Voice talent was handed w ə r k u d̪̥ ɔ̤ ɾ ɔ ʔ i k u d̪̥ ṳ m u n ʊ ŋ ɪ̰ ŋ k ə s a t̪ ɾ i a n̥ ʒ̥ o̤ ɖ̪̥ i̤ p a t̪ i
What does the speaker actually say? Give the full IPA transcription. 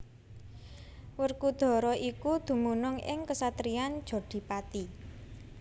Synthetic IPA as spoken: w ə r k u d̪̥ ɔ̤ ɾ ɔ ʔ i k u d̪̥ ṳ m u n ʊ ŋ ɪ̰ ŋ k ə s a t̪ ɾ i a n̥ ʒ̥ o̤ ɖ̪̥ i̤ p a t̪ i